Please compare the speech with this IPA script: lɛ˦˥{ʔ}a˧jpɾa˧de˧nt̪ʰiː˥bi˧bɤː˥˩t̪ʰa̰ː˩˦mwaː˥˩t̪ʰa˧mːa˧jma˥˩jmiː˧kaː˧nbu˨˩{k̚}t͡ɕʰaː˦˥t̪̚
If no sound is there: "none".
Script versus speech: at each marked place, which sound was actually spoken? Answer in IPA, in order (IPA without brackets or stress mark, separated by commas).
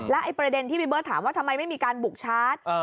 ʔ, k̚